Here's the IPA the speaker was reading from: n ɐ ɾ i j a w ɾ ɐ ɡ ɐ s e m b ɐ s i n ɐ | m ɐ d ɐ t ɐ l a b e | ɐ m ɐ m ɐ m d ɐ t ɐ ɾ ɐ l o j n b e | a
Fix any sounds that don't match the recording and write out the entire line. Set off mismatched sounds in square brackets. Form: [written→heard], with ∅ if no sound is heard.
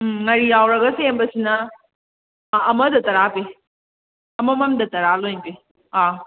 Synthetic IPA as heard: [n→ŋ] ɐ ɾ i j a w ɾ ɐ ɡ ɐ s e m b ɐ s i n ɐ | m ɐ d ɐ t ɐ [l→ɾ] a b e | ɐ m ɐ m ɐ m d ɐ t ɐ ɾ [ɐ→a] l o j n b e | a

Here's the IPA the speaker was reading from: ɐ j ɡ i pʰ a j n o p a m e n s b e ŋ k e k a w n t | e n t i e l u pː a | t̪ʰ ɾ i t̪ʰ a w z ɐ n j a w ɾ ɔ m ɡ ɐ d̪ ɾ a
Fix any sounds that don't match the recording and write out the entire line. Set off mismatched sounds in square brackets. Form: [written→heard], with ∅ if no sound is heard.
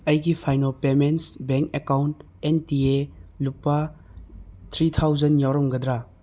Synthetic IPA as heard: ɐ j ɡ i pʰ a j n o p [a→e] m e n s b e ŋ k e k a w n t | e n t i e l u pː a | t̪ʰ ɾ i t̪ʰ a w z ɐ n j a w ɾ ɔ m ɡ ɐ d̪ ɾ a

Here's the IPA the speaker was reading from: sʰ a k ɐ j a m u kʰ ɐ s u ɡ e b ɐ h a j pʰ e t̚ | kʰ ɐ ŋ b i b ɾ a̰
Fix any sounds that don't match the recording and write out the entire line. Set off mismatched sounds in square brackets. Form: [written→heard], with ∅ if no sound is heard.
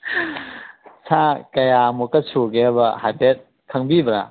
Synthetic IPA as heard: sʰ a k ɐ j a m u [kʰ→k] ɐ s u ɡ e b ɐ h a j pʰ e t̚ | kʰ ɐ ŋ b i b ɾ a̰

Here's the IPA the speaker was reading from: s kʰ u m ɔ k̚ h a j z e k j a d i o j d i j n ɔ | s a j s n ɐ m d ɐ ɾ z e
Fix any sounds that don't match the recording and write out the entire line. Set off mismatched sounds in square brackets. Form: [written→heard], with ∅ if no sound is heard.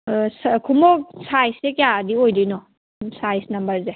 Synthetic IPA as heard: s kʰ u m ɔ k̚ [h→s] a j [z→s] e k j a d i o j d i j n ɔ | s a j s n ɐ m [d→b] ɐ ɾ z e

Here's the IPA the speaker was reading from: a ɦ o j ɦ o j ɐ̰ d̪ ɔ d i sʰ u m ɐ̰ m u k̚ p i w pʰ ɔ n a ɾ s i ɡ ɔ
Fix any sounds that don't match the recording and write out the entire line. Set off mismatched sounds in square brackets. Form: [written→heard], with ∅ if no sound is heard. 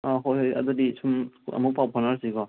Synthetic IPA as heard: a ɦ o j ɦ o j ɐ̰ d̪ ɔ d i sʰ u m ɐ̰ m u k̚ p [i→a] w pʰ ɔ n a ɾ s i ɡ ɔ

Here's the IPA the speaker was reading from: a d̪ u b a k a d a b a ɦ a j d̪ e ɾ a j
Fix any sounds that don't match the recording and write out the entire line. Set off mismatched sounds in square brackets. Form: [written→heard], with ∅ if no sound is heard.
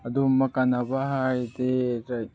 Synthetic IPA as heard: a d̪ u [b→m] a k a [d→n] a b a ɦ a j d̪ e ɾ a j

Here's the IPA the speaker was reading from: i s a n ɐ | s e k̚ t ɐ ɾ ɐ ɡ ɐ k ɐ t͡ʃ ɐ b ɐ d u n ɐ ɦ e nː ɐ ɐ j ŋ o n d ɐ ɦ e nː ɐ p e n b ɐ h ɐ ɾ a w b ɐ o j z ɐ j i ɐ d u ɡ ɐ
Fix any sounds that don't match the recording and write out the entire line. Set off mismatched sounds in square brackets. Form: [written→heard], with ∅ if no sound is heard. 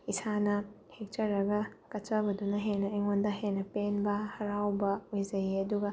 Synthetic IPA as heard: i s a n ɐ | [s→h] e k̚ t ɐ ɾ ɐ ɡ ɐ k ɐ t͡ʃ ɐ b ɐ d u n ɐ ɦ e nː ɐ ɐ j ŋ o n d ɐ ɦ e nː ɐ p e n b ɐ h ɐ ɾ a w b ɐ o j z ɐ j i ɐ d u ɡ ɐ

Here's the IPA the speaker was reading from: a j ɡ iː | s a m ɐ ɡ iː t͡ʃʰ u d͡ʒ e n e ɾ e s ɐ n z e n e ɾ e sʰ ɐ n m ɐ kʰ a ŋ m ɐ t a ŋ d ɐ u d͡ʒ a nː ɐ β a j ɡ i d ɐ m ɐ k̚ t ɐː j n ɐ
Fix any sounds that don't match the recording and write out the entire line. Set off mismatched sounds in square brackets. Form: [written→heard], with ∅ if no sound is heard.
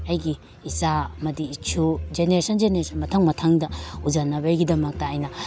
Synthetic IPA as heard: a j ɡ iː | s a m ɐ [ɡ→d] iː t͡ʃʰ u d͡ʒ e n e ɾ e s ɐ n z e n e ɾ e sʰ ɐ n m ɐ [kʰ→tʰ] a ŋ m ɐ [t→tʰ] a ŋ d ɐ u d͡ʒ a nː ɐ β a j ɡ i d ɐ m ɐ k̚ t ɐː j n ɐ

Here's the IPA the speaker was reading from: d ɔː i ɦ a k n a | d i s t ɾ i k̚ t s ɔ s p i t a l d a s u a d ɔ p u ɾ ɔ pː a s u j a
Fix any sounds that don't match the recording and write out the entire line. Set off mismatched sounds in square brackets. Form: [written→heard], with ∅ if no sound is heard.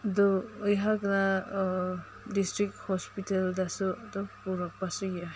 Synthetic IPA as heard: d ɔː [i→j] ɦ a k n a | d i s t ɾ i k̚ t [s→h] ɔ s p i t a l d a s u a d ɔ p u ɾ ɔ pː a s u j a

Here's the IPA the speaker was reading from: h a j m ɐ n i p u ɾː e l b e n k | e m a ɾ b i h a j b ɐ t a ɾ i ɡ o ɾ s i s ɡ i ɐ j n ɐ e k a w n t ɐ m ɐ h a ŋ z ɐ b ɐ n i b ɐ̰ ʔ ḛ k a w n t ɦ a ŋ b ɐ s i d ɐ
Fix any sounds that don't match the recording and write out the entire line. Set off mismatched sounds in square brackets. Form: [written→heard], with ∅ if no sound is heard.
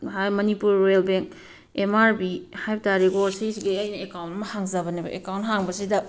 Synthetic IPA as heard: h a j m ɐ n i p u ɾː e l b e [n→ŋ] k | e m a ɾ b i h a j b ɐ t a ɾ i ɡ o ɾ s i s ɡ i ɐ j n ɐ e k a w n t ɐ m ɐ h a ŋ z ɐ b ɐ n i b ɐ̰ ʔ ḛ k a w n t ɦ a ŋ b ɐ s i d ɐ

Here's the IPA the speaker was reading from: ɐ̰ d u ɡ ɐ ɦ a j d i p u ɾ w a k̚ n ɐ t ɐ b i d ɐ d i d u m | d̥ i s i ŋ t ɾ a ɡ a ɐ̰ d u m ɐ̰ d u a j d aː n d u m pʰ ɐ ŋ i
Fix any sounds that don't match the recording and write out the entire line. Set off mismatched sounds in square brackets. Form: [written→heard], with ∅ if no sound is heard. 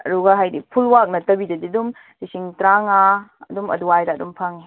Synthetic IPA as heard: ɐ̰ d u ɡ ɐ ɦ a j d i [p→pʰ] u [ɾ→l] w a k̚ n ɐ t ɐ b i d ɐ d i d u m | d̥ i s i ŋ t ɾ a [ɡ→ŋ] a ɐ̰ d u m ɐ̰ d u a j d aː [n→∅] d u m pʰ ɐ ŋ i

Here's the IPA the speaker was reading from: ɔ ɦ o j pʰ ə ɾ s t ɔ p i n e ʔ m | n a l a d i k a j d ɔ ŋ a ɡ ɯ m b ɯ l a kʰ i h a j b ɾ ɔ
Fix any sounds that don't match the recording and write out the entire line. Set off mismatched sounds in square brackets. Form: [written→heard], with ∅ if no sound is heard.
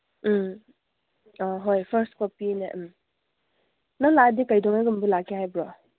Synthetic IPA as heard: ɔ ɦ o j pʰ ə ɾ s [t→k] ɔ p i n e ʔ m | n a l a d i k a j d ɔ ŋ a ɡ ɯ m b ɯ l a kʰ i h a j b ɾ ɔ

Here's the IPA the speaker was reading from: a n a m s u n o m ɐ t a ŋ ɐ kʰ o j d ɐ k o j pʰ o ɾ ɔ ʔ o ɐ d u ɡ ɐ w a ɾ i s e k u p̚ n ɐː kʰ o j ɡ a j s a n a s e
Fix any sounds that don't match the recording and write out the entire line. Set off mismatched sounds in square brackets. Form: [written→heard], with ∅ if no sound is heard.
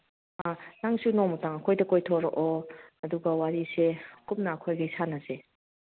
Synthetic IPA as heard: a n a [m→ŋ] s u n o m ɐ t a ŋ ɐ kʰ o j d ɐ k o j [pʰ→tʰ] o ɾ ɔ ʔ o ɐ d u ɡ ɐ w a ɾ i s e k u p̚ n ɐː kʰ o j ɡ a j s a n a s e

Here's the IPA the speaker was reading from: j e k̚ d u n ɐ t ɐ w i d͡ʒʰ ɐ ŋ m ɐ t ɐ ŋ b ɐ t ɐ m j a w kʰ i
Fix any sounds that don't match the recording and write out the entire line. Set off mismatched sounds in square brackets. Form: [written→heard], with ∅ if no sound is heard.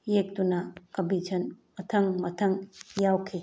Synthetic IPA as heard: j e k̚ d u n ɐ [t→k] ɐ [w→b] i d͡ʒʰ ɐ [ŋ→n] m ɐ [t→tʰ] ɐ ŋ [b→m] ɐ [t→tʰ] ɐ [m→ŋ] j a w kʰ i

